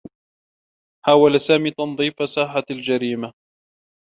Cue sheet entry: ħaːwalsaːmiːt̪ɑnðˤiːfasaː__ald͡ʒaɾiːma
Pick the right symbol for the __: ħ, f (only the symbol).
ħ